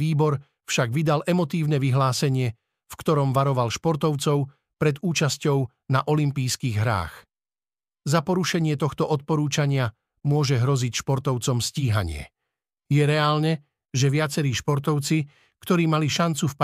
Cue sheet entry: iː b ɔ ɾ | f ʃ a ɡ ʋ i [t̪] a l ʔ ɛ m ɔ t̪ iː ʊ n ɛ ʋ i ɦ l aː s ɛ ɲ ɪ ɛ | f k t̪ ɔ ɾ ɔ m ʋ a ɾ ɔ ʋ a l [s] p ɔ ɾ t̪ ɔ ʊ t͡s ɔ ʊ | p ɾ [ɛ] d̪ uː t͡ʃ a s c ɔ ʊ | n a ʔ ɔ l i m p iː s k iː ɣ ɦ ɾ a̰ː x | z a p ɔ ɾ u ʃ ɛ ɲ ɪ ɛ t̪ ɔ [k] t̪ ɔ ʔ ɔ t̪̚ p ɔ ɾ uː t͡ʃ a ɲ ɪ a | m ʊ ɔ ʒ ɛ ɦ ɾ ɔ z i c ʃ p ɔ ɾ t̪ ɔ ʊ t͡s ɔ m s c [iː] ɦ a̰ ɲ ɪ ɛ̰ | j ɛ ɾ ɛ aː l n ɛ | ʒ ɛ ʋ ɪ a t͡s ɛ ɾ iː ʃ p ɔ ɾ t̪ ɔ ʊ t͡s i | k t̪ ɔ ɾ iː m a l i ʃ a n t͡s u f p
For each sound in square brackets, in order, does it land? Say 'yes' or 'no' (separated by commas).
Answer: no, no, yes, no, yes